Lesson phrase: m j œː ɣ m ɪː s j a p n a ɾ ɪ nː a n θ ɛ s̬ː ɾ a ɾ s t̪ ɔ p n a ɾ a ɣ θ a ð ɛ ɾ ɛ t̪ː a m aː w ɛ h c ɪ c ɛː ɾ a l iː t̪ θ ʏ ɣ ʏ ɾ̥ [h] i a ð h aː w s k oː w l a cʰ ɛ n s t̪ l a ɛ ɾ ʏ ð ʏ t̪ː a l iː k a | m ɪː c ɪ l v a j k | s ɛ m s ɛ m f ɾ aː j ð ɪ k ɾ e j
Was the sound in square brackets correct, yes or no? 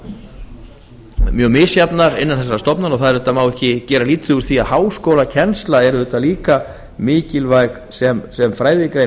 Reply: no